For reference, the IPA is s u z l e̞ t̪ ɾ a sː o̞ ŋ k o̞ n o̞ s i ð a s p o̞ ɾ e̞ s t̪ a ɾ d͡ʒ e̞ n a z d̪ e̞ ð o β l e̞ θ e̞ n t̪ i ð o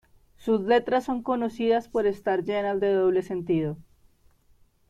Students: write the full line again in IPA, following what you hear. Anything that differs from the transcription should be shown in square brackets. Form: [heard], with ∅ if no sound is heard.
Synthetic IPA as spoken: s u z l e̞ t̪ ɾ a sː o̞ ŋ k o̞ n o̞ s i ð a s p o̞ ɾ e̞ s t̪ a ɾ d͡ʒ e̞ n a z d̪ e̞ ð o β l e̞ [s] e̞ n t̪ i ð o